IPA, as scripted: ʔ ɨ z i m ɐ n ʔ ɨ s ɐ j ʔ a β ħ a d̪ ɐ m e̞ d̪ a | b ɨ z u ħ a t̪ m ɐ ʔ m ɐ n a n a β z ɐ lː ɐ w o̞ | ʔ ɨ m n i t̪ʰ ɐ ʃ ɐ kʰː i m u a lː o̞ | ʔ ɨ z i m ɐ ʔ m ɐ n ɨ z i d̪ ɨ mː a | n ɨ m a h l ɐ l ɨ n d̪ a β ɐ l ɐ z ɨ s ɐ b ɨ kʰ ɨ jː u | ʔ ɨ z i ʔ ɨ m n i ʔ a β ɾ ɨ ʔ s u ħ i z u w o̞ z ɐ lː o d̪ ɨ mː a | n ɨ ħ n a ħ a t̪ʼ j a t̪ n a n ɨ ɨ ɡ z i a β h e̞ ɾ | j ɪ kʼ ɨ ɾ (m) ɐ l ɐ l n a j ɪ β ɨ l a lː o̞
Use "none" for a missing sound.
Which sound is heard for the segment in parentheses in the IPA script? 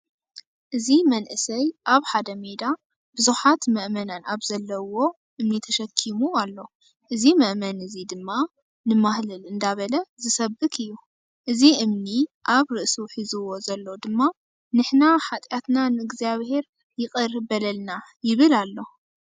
b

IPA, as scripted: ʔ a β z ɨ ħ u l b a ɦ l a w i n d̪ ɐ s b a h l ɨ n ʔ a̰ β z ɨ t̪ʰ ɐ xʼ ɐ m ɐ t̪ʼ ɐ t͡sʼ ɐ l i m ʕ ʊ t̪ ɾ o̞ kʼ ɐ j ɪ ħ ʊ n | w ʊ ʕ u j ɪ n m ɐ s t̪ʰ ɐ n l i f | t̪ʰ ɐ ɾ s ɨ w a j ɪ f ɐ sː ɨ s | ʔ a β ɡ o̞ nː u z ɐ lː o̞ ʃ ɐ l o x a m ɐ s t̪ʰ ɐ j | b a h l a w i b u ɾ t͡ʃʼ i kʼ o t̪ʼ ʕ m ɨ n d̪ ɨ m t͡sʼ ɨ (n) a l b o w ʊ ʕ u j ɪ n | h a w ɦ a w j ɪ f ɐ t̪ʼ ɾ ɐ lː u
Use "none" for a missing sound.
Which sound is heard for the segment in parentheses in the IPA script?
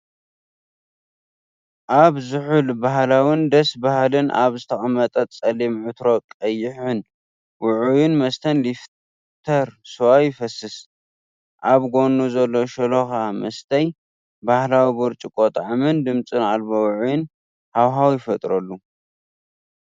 n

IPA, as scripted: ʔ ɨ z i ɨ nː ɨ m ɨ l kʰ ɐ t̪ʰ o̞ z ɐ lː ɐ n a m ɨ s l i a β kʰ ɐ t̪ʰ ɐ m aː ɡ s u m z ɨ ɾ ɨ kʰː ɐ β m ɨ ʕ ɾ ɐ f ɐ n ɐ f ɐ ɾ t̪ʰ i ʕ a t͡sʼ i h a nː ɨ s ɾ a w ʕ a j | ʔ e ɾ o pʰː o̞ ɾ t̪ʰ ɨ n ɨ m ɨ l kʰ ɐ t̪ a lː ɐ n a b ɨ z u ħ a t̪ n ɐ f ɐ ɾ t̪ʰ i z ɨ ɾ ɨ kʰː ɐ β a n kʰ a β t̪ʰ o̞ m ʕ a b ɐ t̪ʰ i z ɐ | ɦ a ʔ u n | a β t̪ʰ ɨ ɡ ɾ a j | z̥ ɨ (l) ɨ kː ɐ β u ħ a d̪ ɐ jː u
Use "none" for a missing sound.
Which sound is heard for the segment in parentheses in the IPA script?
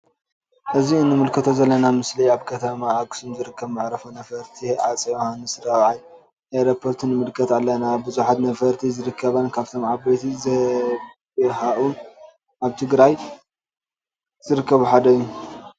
ɾ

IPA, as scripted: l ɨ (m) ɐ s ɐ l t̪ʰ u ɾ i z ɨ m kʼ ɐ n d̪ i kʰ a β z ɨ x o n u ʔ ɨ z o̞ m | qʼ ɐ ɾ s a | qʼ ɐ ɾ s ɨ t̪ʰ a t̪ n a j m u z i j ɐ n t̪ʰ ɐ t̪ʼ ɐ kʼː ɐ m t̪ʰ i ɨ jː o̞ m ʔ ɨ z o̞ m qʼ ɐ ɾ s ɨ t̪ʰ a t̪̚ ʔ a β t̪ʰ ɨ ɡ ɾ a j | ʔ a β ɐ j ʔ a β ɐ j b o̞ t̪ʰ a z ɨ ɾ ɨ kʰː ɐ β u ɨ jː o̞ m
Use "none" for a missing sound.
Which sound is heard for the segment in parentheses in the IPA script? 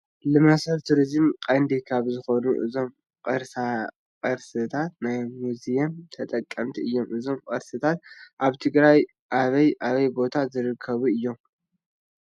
m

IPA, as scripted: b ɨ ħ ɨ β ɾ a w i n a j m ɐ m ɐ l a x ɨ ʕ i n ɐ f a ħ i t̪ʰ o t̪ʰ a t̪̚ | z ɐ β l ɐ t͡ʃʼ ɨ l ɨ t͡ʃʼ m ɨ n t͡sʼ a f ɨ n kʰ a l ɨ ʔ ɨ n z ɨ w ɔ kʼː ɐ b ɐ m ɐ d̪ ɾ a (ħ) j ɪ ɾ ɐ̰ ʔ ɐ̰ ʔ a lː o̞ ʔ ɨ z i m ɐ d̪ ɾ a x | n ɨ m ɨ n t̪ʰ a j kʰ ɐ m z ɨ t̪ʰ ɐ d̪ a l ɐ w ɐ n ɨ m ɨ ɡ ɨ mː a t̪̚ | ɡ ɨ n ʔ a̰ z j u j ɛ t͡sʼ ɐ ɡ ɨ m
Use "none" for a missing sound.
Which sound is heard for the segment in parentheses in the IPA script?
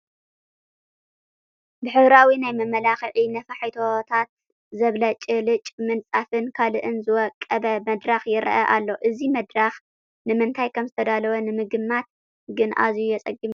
x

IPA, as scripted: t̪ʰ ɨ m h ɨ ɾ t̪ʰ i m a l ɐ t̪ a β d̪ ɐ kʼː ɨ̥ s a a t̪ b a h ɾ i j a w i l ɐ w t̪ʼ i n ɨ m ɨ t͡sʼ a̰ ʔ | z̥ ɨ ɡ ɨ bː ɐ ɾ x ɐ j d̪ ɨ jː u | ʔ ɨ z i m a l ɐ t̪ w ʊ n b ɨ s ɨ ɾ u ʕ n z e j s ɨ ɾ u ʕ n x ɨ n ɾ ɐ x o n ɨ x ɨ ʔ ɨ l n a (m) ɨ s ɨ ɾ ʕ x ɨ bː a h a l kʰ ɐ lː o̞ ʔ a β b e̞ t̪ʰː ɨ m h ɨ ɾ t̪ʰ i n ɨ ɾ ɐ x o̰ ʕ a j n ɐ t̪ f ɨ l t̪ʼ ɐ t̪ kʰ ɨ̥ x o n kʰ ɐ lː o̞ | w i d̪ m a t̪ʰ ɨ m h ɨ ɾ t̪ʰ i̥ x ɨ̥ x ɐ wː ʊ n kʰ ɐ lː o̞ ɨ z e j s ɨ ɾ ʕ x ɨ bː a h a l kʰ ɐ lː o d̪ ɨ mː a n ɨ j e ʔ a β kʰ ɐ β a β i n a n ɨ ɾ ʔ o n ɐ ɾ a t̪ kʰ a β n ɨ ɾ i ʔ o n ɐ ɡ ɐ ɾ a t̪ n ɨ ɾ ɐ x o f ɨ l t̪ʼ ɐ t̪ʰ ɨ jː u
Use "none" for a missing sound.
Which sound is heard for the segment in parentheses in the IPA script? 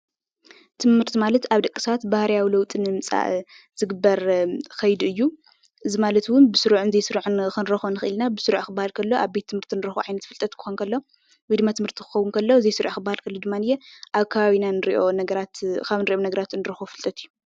b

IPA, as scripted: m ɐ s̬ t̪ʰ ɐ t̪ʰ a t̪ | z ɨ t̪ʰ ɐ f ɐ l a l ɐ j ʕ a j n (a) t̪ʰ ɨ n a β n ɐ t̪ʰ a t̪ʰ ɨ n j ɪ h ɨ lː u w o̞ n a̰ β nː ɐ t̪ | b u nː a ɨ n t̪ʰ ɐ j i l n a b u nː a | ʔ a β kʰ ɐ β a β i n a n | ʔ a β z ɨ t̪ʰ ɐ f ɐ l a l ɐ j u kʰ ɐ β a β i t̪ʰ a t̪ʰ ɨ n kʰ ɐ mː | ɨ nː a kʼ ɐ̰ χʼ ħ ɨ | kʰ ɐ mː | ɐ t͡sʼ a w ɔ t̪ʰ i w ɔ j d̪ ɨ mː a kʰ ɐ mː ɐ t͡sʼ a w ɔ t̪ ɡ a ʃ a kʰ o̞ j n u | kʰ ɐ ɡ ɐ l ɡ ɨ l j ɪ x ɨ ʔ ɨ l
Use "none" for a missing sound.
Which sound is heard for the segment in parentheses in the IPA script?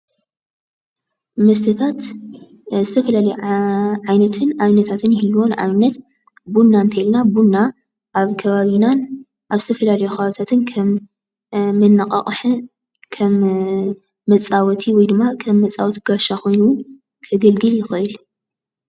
ɐ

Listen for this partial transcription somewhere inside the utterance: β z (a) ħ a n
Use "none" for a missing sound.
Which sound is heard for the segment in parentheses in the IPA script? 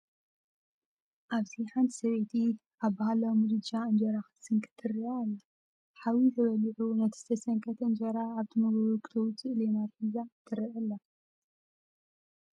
i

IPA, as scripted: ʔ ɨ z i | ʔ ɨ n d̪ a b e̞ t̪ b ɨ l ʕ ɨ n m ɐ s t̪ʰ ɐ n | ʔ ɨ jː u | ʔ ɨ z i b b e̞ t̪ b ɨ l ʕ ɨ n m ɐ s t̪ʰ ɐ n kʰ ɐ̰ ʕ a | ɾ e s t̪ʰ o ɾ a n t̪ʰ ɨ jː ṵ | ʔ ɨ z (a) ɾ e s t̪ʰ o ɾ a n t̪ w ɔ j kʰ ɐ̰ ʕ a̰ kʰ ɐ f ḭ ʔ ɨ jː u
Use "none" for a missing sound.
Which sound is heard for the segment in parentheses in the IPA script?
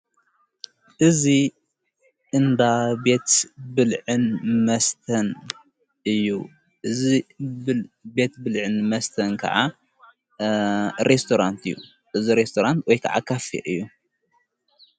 i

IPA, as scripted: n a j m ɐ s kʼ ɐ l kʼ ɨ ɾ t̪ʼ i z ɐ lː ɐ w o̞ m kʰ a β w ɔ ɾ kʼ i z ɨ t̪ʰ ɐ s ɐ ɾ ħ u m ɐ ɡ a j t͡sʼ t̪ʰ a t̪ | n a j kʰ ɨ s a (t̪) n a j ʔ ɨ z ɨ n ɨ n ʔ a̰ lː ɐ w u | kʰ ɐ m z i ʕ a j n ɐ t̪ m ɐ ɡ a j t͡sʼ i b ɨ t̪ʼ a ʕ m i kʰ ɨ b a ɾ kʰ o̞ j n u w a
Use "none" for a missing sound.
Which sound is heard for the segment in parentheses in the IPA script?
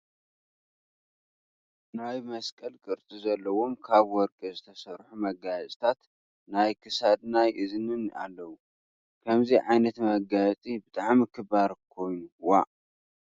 d̪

